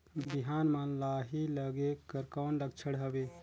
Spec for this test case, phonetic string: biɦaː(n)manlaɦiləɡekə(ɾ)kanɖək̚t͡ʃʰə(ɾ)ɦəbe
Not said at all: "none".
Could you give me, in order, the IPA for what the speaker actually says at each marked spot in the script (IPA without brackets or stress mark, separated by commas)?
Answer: n, ɾ, ɽ